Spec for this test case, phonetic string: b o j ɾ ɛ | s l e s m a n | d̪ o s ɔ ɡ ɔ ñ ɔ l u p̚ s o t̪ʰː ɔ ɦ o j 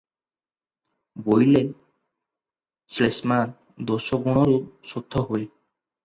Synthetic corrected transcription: b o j l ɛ | s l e s m a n | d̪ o s ɔ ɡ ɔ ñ ɔ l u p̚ s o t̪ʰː ɔ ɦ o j